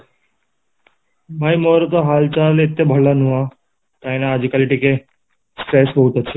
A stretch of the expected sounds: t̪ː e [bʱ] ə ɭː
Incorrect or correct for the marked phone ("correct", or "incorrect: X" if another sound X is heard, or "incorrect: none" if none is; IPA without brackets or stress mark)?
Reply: correct